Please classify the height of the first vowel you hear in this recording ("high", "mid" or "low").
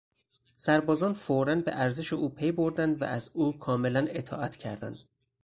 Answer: low